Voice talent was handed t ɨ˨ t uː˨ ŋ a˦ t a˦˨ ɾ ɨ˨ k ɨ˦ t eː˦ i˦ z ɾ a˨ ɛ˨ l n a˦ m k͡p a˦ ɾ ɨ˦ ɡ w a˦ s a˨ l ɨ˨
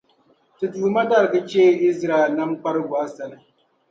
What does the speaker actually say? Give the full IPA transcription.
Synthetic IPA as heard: t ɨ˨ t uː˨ m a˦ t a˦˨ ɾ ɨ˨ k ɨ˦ t͡ʃ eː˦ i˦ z ɾ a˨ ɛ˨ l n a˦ m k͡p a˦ ɾ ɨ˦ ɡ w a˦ s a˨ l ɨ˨

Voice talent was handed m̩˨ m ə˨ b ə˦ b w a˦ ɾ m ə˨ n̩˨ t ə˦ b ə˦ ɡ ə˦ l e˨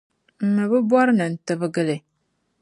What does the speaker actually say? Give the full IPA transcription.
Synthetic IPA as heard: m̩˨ m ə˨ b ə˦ b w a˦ ɾ n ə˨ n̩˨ t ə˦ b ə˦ ɡ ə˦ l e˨

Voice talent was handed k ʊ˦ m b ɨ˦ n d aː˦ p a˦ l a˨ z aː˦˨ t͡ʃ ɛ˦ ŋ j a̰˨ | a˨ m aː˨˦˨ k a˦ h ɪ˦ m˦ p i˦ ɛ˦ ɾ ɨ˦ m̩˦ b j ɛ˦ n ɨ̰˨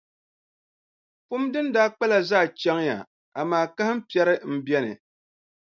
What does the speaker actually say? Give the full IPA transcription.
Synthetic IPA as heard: p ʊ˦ m d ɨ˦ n d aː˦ k͡p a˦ l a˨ z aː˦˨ t͡ʃ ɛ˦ ŋ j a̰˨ | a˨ m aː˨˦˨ k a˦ h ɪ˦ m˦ p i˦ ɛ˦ ɾ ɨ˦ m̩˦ b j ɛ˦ n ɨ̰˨

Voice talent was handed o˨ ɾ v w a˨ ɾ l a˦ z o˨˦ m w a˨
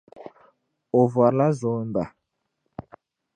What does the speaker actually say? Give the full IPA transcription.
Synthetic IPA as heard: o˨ v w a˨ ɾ l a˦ z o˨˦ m b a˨

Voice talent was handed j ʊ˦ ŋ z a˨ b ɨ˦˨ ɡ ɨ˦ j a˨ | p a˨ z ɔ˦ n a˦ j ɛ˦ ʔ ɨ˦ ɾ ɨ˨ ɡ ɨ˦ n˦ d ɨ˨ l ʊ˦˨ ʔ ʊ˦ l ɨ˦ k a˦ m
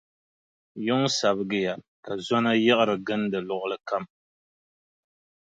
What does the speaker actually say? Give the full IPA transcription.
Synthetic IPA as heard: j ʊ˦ ŋ s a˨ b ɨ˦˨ ɡ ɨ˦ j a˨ | k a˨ z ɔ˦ n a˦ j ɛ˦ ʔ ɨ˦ ɾ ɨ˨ ɡ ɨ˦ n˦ d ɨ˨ l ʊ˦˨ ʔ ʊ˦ l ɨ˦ k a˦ m

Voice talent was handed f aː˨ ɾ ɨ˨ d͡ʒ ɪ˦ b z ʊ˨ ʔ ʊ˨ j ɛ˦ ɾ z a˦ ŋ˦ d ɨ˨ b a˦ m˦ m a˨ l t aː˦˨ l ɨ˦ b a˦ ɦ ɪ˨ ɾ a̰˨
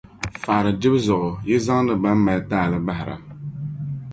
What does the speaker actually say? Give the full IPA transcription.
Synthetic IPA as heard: f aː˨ ɾ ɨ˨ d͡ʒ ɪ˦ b z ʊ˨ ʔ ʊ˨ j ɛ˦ z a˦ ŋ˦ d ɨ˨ b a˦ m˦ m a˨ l t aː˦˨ l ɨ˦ b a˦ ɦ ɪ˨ ɾ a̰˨

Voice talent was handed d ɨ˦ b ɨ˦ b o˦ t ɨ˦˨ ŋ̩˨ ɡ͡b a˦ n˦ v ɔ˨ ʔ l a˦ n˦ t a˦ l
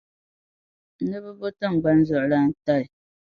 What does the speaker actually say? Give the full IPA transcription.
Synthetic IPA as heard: n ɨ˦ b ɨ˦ b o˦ t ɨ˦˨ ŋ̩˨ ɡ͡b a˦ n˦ z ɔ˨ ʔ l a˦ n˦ t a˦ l

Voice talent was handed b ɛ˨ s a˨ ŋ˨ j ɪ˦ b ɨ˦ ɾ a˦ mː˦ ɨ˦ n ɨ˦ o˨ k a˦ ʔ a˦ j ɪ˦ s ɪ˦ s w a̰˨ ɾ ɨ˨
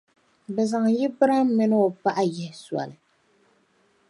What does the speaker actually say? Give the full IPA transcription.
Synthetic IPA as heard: b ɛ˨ z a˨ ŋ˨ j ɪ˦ b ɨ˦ ɾ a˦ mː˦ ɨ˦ n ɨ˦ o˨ p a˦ ʔ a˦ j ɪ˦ h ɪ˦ s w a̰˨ l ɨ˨

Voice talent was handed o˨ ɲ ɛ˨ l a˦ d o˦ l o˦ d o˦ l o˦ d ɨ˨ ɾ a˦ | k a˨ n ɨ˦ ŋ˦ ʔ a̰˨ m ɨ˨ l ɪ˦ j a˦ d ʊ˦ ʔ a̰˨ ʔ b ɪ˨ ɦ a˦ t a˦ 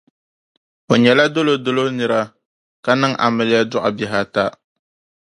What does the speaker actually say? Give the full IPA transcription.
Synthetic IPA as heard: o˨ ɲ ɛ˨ l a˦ d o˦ l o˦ d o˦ l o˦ n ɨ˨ ɾ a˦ | k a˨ n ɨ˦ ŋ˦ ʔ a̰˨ m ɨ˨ l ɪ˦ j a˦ d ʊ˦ ʔ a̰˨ b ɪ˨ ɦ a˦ t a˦

